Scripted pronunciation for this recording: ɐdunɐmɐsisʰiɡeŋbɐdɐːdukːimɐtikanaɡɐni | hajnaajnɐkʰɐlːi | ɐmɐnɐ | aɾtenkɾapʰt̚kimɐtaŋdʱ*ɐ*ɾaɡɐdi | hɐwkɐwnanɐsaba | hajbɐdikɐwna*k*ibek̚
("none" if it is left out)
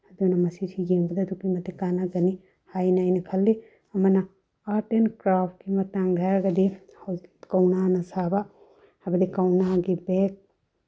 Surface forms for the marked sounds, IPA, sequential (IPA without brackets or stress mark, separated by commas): a, ɡ